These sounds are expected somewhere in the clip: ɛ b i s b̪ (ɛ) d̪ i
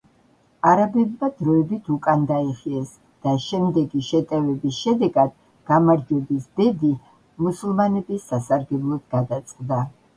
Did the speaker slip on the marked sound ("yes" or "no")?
no